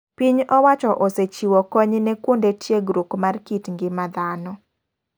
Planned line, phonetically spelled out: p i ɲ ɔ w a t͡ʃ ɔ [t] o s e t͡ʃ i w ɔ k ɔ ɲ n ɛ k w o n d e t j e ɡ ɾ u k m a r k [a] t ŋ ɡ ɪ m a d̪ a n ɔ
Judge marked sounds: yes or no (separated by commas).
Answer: no, no